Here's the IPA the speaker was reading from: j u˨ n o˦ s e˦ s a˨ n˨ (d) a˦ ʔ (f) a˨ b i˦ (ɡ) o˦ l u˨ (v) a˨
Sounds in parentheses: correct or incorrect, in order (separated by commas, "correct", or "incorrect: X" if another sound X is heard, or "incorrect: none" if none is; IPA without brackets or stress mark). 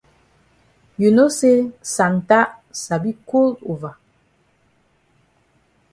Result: incorrect: t, incorrect: s, incorrect: k, correct